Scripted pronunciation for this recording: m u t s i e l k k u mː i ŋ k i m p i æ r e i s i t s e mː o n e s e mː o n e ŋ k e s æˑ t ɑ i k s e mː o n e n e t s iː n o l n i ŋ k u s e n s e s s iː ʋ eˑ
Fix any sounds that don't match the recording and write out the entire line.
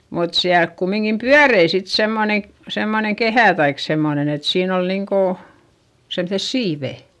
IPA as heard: m u t s i æ l k k u mː i ŋ k i m p y æ r e i s i t s e mː o n e s e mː o n e ŋ k e h æˑ t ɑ i k s e mː o n e n e t s iː n o l n i ŋ k o s e m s e s s iː ʋ eˑ